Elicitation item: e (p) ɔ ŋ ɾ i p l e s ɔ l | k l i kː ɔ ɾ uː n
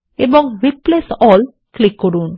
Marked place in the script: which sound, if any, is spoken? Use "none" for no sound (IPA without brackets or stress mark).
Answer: b